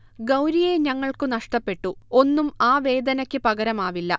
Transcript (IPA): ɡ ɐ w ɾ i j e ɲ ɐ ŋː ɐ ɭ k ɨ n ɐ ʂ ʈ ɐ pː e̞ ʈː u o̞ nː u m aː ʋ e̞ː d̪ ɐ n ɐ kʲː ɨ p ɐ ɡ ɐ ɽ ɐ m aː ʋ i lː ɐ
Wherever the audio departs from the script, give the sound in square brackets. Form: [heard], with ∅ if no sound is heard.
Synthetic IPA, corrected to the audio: ɡ ɐ w ɾ i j e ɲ ɐ ŋː ɐ ɭ k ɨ n ɐ ʂ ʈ ɐ pː e̞ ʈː u o̞ nː u m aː ʋ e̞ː d̪ ɐ n ɐ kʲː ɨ p ɐ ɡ ɐ [ɾ] ɐ m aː ʋ i lː ɐ